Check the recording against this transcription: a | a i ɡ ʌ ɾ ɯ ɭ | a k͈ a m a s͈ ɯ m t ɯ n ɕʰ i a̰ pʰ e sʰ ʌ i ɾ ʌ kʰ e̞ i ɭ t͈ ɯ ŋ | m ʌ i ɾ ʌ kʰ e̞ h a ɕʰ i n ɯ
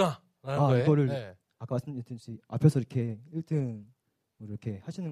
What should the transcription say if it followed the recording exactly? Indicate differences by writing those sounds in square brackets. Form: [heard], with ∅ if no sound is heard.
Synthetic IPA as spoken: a | a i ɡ ʌ ɾ ɯ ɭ | a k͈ a m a s͈ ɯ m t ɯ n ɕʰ i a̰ pʰ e sʰ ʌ i ɾ ʌ kʰ e̞ i ɭ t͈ ɯ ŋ | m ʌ i ɾ ʌ kʰ e̞ h a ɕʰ i n ɯ